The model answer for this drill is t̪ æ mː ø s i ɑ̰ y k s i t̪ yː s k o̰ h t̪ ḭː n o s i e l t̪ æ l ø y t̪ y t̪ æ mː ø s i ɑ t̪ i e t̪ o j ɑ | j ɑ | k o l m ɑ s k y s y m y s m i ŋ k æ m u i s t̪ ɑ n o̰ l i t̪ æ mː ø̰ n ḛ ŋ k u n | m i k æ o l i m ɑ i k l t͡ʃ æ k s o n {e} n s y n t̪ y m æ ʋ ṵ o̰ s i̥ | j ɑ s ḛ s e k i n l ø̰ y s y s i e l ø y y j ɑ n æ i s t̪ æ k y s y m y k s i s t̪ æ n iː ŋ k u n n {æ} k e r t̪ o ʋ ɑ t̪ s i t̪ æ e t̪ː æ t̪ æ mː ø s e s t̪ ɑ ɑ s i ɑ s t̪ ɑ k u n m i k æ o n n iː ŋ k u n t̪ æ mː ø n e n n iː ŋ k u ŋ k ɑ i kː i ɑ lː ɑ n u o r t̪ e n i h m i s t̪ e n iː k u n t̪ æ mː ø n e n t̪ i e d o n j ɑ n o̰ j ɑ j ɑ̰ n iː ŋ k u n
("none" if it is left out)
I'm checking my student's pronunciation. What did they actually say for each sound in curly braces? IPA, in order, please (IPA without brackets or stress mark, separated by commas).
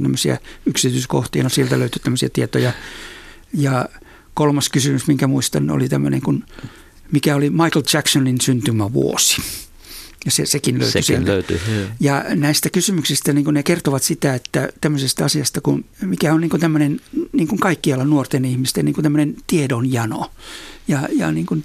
i, e